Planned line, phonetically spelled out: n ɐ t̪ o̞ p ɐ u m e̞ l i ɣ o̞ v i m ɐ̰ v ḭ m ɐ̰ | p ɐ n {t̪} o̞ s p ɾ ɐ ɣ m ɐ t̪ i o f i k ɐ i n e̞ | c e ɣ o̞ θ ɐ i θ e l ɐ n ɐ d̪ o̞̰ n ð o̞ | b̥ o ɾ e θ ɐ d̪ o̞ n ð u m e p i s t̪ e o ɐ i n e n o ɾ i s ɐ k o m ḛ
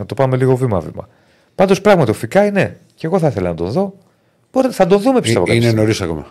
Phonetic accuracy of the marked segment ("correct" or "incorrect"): incorrect